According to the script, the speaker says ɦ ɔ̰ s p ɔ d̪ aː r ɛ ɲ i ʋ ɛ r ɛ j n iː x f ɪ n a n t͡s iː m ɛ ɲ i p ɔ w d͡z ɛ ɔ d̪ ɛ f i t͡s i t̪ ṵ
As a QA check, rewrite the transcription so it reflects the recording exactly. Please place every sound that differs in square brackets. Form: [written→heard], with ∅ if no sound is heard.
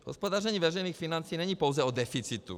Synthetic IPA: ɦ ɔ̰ s p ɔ d̪ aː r ɛ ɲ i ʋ ɛ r ɛ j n iː x f [ɪ→i] n a n t͡s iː [m→ɲ] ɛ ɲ i p ɔ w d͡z ɛ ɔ d̪ ɛ f i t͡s i t̪ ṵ